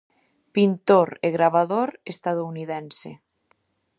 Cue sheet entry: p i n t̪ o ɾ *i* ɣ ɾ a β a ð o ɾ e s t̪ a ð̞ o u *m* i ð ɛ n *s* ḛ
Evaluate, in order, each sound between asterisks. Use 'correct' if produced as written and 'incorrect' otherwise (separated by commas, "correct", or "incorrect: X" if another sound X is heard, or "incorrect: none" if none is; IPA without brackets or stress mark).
incorrect: e, incorrect: n, correct